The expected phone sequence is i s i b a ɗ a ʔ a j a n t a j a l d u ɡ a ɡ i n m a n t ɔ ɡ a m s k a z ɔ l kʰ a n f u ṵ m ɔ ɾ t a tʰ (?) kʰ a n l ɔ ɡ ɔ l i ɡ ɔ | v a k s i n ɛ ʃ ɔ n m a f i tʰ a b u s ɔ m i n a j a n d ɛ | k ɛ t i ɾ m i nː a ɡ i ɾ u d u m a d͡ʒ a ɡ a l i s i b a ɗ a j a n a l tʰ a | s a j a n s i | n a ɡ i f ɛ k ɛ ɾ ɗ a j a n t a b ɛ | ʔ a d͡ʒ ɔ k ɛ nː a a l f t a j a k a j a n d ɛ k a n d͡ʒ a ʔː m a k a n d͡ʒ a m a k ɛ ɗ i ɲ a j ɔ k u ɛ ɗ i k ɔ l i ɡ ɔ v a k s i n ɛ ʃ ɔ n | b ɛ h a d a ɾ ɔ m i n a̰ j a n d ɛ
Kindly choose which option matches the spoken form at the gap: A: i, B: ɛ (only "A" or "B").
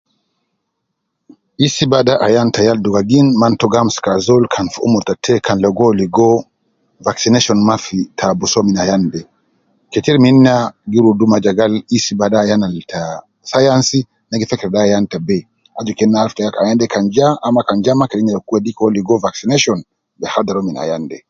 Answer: B